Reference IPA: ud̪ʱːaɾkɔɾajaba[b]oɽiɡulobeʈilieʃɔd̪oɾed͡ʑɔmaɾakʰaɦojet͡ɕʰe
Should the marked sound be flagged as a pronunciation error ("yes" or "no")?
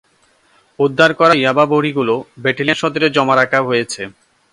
no